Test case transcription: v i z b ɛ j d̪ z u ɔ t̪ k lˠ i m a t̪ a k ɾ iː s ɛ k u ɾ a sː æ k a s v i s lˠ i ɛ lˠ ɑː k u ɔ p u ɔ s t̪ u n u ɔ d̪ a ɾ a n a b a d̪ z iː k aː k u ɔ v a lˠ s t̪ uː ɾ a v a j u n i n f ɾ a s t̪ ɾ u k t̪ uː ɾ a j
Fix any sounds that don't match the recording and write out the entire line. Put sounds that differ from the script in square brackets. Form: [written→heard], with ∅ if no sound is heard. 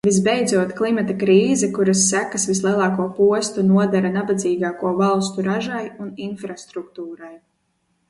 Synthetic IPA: v i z b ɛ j d̪ z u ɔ t̪ k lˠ i m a t̪ a k ɾ iː [s→z] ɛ k u ɾ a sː æ k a s v i s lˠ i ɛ lˠ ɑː k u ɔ p u ɔ s t̪ u n u ɔ d̪ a ɾ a n a b a d̪ z iː [k→ɡ] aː k u ɔ v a lˠ s t̪ [uː→u] ɾ a [v→ʒ] a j u n i n f ɾ a s t̪ ɾ u k t̪ uː ɾ a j

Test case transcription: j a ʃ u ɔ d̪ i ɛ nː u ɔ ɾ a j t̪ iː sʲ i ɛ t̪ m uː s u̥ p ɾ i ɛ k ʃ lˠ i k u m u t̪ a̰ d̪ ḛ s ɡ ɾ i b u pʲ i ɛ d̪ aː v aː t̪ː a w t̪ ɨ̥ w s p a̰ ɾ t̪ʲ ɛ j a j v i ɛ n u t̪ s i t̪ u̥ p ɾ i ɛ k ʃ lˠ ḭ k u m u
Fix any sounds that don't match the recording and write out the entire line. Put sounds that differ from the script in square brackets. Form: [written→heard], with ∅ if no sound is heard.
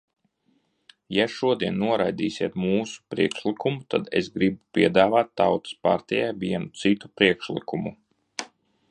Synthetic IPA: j a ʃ u ɔ d̪ i ɛ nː u ɔ ɾ a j [t̪→d̪] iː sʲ i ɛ t̪ m uː s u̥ p ɾ i ɛ k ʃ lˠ i k u m u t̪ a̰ d̪ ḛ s ɡ ɾ i b u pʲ i ɛ d̪ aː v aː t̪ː a w t̪ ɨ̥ [w→∅] s p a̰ ɾ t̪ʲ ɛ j a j v i ɛ n u t̪ s i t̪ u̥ p ɾ i ɛ k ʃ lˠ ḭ k u m u

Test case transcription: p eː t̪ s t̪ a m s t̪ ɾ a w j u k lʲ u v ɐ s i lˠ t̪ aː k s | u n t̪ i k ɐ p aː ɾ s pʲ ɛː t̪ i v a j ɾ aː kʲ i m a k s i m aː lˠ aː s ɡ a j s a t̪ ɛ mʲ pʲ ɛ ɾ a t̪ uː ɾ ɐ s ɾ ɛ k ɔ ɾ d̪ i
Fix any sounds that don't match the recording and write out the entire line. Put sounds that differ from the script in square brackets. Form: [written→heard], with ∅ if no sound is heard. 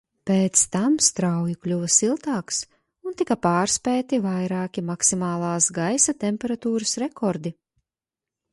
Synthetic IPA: p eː t̪ s t̪ a m s t̪ ɾ a w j u k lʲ u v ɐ s i lˠ t̪ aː k s | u n t̪ i k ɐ p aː ɾ s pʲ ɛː t̪ i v a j ɾ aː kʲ i m a k s i m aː lˠ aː s ɡ a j s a t̪ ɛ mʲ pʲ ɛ ɾ a t̪ uː ɾ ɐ s ɾ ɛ k ɔ ɾ d̪ i

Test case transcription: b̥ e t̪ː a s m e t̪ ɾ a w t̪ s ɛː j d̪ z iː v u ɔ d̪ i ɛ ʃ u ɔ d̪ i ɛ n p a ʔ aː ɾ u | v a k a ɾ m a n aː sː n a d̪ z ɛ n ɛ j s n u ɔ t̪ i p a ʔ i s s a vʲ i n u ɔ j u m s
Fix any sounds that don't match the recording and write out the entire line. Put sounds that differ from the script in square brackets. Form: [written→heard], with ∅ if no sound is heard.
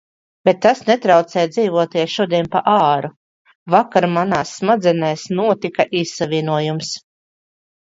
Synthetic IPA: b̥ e t̪ː a s [m→n] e t̪ ɾ a w t̪ s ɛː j d̪ z iː v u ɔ [d̪→t̪] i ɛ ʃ u ɔ d̪ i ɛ n p a ʔ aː ɾ u | v a k a ɾ m a n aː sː [n→m] a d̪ z ɛ n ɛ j s n u ɔ t̪ i [p→k] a ʔ i s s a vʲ i n u ɔ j u m s

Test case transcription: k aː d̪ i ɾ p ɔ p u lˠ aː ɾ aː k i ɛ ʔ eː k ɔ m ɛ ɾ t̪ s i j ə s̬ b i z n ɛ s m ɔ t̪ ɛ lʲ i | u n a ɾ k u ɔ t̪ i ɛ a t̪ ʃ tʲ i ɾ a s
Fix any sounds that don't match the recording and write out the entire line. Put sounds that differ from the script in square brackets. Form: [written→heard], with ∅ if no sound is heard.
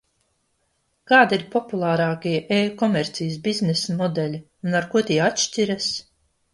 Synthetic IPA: k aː d̪ i ɾ p ɔ p u lˠ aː ɾ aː k i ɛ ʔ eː k ɔ m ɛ ɾ t̪ s i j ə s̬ b i z n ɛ s m ɔ [t̪→d̪] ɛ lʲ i | u n a ɾ k u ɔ t̪ i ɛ a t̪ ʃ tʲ i ɾ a s

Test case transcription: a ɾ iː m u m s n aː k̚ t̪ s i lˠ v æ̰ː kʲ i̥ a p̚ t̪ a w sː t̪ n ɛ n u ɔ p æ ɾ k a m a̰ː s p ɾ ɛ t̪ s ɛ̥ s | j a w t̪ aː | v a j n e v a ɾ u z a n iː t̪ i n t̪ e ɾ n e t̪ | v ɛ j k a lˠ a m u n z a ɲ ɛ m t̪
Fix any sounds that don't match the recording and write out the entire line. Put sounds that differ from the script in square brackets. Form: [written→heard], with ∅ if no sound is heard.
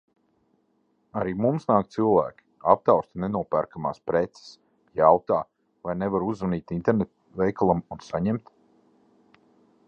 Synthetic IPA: a ɾ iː m u m s n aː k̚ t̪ s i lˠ v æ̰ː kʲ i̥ a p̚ t̪ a w [sː→s] t̪ n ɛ n u ɔ p æ ɾ k a m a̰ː s p ɾ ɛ t̪ s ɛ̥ s | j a w t̪ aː | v a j n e v a ɾ u z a n iː t̪ i n t̪ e ɾ n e t̪ | v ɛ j k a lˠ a m u n [z→s] a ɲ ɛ m t̪

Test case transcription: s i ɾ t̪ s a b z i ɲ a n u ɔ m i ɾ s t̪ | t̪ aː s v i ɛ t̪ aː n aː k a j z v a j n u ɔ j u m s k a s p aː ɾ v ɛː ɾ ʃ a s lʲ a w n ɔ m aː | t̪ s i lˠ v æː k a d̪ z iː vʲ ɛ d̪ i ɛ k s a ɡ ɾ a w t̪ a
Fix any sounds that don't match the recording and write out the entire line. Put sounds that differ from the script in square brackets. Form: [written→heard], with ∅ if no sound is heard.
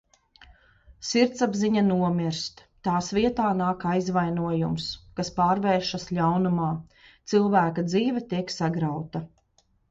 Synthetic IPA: s i ɾ t̪ s a b z i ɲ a n u ɔ m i ɾ s t̪ | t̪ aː s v i ɛ t̪ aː n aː k a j z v a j n u ɔ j u m s k a s p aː ɾ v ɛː ɾ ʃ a s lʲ a w n [ɔ→u] m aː | t̪ s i lˠ v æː k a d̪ z iː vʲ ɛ [d̪→t̪] i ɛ k s a ɡ ɾ a w t̪ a

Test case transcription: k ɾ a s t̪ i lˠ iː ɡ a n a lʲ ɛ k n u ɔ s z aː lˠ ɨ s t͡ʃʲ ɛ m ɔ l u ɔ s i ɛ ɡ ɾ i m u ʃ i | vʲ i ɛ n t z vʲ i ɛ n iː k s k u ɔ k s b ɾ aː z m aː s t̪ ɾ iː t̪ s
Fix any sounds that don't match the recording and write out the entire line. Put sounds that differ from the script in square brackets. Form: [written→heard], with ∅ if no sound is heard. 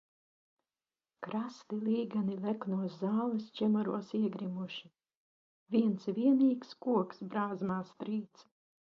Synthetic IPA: k ɾ a s t̪ i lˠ iː ɡ a n [a→i] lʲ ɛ k n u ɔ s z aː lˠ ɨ s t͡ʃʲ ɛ m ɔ [l→ɾ] u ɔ s i ɛ ɡ ɾ i m u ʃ i | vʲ i ɛ n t [z→s] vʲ i ɛ n iː k s k u ɔ k s b ɾ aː z m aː s t̪ ɾ iː t̪ s

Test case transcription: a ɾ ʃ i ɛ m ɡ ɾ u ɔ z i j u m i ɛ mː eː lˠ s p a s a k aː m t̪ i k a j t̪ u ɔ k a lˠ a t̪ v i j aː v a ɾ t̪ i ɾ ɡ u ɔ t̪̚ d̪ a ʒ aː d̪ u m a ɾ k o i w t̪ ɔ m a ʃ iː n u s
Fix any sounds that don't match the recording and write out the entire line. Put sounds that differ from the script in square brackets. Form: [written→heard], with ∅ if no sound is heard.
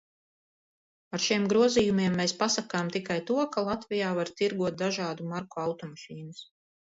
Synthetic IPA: a ɾ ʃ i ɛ m ɡ ɾ u ɔ z i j u m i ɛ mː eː [lˠ→∅] s p a s a k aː m t̪ i k a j t̪ u ɔ k a lˠ a t̪ v i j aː v a ɾ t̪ i ɾ ɡ u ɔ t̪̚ d̪ a ʒ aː d̪ u m a ɾ k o [i→a] w t̪ ɔ m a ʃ iː n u s

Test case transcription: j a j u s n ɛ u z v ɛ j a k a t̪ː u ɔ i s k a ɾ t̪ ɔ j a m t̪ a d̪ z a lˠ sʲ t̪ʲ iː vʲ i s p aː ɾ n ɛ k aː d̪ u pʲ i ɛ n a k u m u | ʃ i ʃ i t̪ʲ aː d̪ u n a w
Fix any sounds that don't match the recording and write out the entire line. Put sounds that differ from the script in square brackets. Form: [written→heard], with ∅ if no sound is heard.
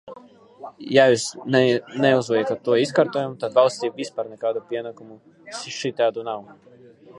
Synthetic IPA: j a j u s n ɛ u z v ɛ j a k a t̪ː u ɔ i s k a ɾ t̪ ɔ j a m t̪ a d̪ [z→v] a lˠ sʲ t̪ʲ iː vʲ i s p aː ɾ n ɛ k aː d̪ u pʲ i ɛ n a k u m u | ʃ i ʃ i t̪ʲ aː d̪ u n a w

